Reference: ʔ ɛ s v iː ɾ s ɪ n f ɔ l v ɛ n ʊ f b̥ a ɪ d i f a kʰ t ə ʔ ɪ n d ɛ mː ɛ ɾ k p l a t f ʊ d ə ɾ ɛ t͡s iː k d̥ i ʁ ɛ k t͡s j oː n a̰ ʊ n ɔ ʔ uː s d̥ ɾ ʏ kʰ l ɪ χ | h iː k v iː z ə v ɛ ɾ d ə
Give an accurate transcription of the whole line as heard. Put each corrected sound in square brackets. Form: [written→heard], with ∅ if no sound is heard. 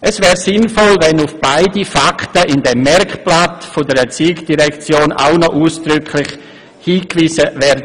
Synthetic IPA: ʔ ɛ s v [iː→ɛː] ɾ s ɪ n f ɔ l v ɛ n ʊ f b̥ a ɪ d i f a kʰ t ə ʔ ɪ n d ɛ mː ɛ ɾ k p l a t f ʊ d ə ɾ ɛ t͡s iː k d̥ i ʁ ɛ k t͡s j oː n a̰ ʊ n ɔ ʔ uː s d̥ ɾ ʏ kʰ l ɪ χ | h iː k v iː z ə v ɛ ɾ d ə